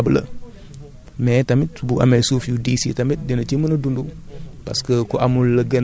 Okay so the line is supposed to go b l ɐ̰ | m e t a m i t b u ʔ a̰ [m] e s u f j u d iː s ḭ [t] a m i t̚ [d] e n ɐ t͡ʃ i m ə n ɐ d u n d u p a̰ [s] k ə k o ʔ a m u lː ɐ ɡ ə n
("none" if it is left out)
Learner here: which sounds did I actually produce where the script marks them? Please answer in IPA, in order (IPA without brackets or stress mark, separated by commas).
m, t, d, s